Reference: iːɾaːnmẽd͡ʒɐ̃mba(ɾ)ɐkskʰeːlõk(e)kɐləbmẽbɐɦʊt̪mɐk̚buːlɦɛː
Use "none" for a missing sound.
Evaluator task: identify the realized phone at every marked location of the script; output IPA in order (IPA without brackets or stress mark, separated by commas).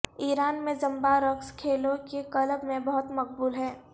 ɾ, e